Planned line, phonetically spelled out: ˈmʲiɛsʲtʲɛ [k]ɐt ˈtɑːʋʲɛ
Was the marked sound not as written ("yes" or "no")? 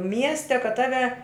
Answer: no